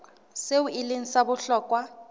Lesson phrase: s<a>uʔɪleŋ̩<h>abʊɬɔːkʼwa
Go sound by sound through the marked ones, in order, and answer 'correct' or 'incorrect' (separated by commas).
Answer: incorrect, incorrect